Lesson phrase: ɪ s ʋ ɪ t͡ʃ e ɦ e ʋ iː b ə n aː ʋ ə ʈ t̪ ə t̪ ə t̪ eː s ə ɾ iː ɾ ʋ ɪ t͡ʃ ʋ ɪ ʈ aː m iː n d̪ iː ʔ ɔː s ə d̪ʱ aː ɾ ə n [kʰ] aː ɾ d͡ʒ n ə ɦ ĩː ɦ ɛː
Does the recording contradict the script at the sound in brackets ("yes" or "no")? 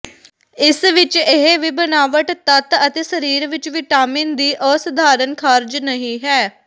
no